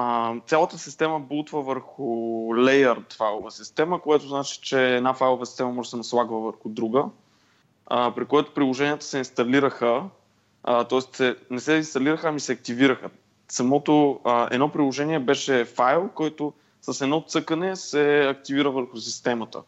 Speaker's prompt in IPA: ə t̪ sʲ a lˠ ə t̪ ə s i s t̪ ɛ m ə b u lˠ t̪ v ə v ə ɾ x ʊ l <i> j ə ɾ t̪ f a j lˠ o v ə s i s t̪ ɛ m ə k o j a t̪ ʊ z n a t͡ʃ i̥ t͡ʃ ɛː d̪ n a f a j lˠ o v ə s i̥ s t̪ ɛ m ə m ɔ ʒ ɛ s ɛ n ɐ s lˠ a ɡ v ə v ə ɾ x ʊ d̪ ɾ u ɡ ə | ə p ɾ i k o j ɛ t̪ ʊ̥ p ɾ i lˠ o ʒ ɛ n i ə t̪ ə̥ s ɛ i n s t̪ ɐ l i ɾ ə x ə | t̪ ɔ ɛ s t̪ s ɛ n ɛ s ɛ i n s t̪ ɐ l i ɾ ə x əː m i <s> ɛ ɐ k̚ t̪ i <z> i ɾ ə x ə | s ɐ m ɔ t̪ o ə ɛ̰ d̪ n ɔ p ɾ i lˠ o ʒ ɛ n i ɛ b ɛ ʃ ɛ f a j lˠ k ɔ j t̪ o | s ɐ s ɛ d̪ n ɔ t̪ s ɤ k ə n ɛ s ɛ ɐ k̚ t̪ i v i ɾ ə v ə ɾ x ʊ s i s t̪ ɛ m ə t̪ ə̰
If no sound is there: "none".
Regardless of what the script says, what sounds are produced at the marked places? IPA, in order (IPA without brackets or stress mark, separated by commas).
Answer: ɛ, s, v